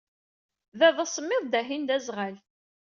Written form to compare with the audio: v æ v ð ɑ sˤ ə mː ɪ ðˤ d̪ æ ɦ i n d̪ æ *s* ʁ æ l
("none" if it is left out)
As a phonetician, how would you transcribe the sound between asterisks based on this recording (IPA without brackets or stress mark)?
z